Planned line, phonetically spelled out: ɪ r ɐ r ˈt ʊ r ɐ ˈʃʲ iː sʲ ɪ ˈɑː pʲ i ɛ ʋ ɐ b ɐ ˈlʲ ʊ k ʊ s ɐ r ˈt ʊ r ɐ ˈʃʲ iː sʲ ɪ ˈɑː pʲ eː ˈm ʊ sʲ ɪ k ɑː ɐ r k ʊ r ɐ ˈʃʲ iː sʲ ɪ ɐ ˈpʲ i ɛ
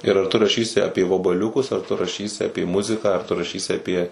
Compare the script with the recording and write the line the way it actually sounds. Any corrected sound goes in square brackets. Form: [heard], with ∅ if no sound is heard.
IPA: ɪ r ɐ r ˈt ʊ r ɐ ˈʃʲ iː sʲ ɪ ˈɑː pʲ i ɛ ʋ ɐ b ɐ ˈlʲ ʊ k ʊ s ɐ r ˈt ʊ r ɐ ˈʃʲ iː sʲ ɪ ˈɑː pʲ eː ˈm ʊ [zʲ] ɪ k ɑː ɐ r [t] ʊ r ɐ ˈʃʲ iː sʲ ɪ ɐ ˈpʲ i ɛ